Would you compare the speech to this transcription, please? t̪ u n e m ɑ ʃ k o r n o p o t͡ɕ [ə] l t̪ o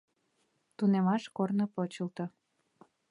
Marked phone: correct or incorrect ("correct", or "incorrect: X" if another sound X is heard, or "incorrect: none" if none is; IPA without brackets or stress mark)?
correct